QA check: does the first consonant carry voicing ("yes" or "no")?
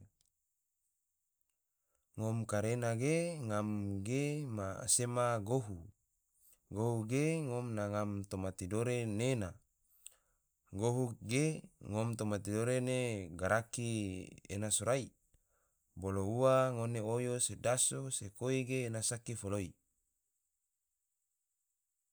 yes